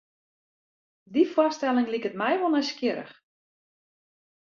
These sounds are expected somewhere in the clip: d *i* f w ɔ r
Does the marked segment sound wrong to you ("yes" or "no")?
no